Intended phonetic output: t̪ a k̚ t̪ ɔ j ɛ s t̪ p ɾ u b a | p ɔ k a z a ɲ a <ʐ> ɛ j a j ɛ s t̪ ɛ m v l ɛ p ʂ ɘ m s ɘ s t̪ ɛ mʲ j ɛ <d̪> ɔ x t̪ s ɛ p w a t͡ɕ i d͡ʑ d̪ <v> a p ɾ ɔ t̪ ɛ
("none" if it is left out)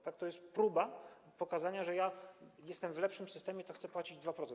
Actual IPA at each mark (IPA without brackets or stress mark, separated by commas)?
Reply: ʐ, t̪, v